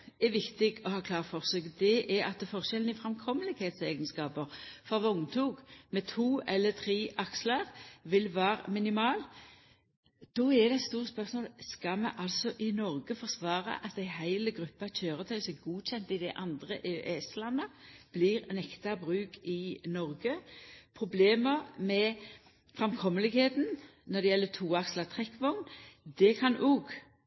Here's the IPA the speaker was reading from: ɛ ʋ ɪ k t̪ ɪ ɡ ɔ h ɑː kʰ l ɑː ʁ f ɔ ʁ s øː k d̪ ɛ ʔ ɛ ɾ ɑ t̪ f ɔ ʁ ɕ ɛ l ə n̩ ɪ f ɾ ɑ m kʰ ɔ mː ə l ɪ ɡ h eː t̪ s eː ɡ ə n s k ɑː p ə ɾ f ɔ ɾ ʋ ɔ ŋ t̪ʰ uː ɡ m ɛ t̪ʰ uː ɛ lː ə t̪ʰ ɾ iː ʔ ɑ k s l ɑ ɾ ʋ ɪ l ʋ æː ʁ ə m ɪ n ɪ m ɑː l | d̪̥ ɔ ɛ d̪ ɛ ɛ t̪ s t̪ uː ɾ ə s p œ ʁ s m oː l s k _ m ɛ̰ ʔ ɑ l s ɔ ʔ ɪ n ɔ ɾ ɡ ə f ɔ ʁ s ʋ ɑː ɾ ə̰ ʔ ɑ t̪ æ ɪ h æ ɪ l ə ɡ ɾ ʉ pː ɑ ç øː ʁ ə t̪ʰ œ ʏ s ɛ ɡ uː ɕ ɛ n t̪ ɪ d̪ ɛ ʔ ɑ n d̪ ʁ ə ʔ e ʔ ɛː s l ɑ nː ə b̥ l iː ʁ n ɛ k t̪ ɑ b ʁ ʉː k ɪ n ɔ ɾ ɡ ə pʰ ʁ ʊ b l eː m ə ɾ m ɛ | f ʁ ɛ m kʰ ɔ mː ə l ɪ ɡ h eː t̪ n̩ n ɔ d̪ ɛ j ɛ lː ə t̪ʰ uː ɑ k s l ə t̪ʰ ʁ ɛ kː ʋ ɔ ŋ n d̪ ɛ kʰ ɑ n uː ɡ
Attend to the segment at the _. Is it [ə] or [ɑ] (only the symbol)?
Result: ɑ